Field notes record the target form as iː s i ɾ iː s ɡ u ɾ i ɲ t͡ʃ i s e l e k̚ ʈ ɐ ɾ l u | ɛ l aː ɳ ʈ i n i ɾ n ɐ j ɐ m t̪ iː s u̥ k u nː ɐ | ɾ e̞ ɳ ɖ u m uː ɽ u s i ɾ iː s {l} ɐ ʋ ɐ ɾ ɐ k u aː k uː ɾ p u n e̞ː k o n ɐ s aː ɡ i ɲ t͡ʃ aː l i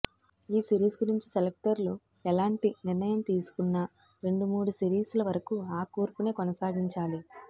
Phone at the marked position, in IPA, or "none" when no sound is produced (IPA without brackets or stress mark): l